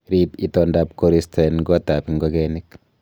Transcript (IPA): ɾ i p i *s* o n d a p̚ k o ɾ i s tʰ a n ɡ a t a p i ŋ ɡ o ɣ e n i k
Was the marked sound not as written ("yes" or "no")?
yes